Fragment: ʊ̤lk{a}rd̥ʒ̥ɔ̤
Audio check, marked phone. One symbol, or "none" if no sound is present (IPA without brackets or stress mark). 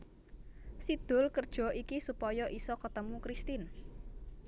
ə